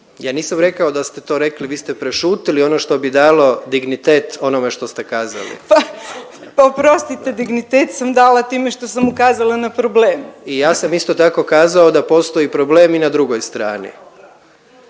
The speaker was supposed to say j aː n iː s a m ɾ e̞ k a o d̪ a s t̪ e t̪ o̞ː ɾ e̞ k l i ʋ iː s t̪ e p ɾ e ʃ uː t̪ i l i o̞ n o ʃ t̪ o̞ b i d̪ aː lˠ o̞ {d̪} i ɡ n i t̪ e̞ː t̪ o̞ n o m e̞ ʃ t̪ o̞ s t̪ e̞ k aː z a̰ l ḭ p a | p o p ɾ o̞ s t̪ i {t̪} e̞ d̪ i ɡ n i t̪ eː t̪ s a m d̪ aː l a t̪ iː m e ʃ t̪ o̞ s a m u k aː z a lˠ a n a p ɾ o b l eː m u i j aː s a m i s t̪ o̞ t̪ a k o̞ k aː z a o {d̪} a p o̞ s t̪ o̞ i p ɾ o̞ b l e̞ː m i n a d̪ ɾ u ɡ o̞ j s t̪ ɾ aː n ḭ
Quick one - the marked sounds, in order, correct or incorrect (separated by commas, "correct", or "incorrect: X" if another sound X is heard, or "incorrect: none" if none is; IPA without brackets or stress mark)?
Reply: correct, correct, correct